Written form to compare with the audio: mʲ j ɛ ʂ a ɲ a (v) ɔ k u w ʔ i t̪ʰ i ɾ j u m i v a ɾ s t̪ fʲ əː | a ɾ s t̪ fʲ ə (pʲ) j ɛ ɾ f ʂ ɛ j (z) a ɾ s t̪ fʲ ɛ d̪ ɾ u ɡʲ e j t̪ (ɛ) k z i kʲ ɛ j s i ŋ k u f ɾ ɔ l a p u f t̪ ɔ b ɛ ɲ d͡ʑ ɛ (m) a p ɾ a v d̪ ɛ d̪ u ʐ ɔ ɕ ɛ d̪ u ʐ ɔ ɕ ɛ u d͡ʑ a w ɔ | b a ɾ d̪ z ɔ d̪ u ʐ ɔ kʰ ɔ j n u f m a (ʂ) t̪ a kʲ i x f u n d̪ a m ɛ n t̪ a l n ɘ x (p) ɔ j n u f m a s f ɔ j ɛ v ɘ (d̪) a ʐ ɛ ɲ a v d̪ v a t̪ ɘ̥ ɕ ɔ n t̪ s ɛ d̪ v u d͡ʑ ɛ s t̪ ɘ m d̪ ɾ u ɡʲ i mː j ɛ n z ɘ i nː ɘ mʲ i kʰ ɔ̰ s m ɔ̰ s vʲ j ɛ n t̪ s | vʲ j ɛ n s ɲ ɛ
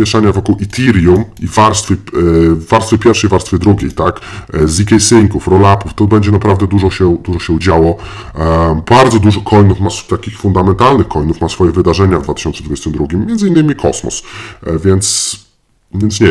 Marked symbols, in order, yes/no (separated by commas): yes, yes, no, no, no, no, no, yes